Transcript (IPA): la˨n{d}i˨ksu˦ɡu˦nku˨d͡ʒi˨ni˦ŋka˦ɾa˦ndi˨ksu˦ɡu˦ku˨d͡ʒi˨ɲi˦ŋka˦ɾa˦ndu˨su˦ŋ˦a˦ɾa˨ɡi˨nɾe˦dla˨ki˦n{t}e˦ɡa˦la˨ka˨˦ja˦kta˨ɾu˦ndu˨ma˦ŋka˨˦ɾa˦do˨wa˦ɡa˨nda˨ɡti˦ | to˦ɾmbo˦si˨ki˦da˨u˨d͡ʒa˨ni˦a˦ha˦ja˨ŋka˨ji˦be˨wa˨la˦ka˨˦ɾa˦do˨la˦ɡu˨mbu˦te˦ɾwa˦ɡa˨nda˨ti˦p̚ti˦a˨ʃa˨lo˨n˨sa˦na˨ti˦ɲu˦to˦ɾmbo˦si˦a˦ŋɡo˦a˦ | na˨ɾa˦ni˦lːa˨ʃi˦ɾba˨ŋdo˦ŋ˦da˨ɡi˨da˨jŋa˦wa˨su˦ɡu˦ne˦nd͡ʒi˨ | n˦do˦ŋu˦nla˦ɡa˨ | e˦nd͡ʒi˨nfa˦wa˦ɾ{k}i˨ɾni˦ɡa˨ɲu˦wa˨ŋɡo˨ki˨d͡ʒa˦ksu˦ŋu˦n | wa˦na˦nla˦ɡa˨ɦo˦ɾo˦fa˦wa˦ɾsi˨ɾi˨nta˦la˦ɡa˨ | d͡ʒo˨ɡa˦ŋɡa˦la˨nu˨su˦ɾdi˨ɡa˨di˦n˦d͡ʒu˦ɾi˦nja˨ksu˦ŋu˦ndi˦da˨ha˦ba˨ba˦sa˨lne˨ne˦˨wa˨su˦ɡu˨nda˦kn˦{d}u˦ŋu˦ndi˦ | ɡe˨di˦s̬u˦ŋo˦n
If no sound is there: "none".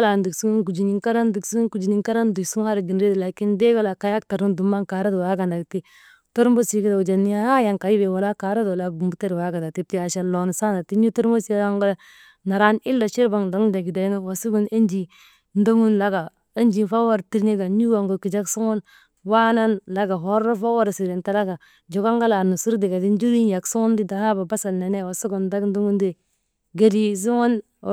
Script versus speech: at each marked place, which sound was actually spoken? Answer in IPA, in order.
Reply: d, d, t, d

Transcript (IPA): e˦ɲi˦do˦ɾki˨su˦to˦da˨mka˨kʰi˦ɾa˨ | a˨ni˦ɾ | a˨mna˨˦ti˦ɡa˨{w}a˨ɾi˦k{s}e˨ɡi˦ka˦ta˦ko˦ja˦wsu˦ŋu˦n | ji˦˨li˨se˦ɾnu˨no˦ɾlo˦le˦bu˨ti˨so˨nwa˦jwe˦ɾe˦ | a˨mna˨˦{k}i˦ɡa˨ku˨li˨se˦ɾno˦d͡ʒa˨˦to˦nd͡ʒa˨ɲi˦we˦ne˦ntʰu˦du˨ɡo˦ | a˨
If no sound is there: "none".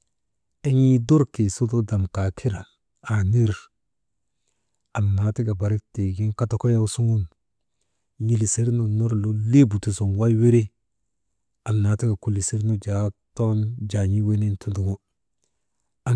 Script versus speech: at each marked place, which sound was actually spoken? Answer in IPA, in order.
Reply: b, t, t

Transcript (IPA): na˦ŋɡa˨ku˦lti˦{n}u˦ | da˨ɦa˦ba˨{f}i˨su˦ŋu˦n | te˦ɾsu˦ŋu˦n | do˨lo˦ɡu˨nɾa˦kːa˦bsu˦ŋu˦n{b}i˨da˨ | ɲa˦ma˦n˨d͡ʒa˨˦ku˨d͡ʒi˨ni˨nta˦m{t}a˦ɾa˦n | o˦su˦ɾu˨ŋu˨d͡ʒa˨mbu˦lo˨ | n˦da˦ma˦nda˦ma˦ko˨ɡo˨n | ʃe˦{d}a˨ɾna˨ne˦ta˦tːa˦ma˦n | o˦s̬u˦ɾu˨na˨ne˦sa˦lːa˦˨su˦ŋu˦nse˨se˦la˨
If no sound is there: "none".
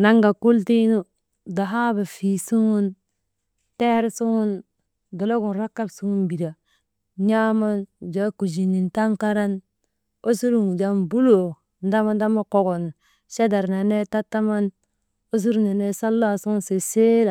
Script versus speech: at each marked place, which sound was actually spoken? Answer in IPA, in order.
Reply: n, f, b, k, d

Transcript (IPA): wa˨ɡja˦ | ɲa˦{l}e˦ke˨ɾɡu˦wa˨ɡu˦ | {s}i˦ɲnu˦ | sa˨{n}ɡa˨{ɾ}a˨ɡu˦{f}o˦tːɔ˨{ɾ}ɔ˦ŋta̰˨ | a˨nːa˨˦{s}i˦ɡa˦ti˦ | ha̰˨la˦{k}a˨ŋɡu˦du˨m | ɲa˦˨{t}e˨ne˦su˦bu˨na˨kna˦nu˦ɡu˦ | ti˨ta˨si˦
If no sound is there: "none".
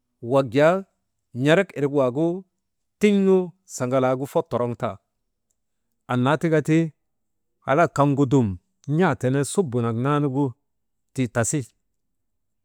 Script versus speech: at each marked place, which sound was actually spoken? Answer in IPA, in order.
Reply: ɾ, t, ŋ, l, f, ɾ, t, k, t

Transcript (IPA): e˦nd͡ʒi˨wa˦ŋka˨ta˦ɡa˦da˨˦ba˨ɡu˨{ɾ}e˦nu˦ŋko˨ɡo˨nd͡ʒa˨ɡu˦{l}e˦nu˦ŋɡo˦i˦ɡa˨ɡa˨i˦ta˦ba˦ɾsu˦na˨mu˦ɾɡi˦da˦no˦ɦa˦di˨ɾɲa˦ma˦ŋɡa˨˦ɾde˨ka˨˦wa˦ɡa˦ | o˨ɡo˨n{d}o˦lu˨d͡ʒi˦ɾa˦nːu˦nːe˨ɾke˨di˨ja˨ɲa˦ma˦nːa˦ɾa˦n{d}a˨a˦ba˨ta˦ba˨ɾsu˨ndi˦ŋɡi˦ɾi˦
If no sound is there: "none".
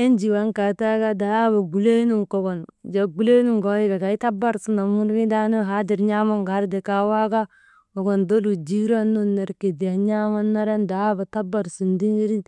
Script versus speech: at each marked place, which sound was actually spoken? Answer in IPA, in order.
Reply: l, l, d, d

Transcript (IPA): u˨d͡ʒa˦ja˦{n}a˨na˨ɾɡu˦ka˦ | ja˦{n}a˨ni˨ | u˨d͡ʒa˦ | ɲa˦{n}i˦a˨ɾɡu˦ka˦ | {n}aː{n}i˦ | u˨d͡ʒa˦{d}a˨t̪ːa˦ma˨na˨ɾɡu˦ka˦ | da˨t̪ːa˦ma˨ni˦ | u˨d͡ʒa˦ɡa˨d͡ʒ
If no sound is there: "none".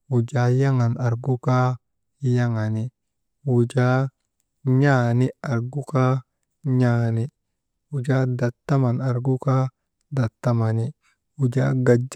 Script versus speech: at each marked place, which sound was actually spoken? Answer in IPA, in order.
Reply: ŋ, ŋ, n, ɲ, n, d

